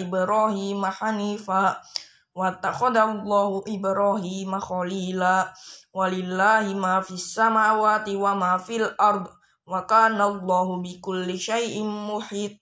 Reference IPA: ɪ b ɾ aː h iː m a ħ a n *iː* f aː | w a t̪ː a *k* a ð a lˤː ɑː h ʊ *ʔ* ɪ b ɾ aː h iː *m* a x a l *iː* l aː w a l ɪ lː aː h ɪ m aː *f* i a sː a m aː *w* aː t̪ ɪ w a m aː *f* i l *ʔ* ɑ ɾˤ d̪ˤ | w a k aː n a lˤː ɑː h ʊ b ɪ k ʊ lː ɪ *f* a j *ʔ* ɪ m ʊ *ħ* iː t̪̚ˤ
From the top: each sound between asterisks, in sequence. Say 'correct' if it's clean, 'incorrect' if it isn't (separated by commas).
correct, incorrect, correct, correct, correct, correct, correct, correct, correct, incorrect, correct, correct